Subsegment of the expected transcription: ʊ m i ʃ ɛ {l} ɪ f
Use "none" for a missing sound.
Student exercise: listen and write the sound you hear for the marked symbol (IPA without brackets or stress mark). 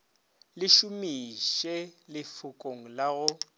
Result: l